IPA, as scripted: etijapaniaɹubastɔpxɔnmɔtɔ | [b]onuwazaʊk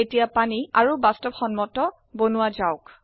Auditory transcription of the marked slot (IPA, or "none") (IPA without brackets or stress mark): b